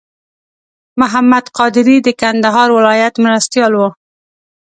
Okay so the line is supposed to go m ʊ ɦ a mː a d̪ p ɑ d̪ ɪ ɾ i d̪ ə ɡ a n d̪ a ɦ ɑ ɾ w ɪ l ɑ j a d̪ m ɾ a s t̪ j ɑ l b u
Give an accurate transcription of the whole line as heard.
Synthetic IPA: m ʊ ɦ a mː a d̪ q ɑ d̪ ɪ ɾ i d̪ ə k a n d̪ a ɦ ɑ ɾ w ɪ l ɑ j a t̪ m ɾ a s t̪ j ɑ l w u